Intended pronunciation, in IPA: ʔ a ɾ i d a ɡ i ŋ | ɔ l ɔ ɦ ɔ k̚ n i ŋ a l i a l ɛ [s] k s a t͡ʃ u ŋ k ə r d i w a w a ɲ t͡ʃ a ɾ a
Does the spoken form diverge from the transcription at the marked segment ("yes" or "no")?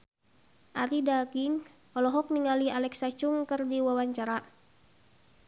yes